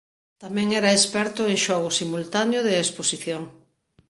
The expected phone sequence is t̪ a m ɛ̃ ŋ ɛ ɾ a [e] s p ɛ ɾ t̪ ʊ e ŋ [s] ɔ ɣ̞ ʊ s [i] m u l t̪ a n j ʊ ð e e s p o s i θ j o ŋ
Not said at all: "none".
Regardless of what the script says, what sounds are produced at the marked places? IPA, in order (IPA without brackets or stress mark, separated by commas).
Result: e, ʃ, i